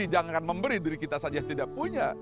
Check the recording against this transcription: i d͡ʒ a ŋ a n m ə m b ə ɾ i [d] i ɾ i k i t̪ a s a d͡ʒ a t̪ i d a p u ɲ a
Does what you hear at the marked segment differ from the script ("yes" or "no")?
no